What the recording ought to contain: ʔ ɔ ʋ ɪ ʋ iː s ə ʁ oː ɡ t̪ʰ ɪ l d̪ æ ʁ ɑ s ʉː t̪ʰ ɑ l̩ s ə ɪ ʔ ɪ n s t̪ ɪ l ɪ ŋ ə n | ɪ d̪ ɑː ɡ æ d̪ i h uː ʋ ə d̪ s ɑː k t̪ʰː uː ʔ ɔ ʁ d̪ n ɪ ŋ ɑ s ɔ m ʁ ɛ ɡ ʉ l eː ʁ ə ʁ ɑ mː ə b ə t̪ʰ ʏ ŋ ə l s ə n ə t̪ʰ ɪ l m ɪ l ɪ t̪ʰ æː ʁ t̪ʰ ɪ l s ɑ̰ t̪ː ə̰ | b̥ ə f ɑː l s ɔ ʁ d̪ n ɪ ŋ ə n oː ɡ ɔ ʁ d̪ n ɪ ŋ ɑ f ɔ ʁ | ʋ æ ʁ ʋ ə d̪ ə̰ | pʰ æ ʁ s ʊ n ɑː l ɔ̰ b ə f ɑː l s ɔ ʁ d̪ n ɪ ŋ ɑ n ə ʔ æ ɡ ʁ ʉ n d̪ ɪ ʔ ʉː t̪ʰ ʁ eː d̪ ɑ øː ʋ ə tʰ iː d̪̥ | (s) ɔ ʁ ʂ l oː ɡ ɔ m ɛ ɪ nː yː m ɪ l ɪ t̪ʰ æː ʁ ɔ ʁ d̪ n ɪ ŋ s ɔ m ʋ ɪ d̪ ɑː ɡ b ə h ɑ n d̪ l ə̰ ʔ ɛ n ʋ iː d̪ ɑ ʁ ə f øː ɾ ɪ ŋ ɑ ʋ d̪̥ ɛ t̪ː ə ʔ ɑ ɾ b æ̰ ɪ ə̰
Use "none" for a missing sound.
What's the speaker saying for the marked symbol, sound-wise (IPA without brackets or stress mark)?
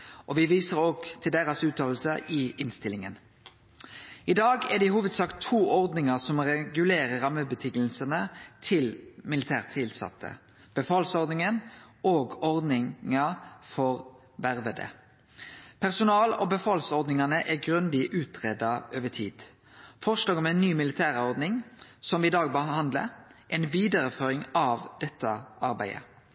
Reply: f